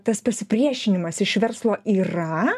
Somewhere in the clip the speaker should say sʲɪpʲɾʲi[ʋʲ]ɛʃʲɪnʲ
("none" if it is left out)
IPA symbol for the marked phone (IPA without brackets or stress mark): none